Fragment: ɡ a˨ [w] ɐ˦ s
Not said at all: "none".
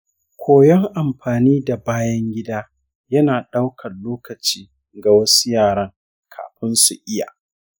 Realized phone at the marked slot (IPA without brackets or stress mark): w